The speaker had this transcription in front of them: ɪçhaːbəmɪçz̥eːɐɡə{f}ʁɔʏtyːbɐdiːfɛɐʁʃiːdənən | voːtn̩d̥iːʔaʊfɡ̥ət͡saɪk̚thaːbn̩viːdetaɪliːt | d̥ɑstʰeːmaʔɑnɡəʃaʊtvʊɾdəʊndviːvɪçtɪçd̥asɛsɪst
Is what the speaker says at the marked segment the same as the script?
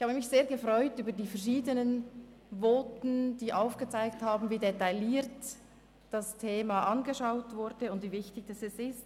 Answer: yes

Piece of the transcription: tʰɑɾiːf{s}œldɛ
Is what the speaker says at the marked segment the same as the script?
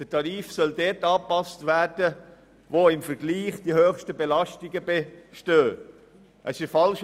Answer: yes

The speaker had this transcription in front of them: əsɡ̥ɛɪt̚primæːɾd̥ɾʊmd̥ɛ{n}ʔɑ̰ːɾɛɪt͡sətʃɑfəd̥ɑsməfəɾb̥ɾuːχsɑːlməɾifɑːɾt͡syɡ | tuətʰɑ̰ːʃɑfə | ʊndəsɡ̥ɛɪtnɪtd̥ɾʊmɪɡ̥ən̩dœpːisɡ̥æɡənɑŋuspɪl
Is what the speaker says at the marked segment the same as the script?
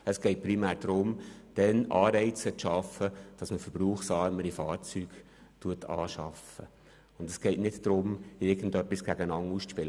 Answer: yes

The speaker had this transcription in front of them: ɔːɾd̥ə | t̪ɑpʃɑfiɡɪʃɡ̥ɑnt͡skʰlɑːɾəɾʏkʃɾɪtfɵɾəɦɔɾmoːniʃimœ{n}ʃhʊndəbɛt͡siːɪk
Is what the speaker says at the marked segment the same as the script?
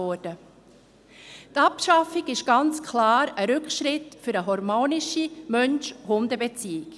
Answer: yes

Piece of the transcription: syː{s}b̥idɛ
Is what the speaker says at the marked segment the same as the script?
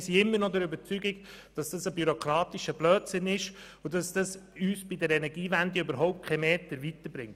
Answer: yes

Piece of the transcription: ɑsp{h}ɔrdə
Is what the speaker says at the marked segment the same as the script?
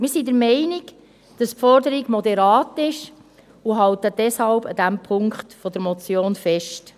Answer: no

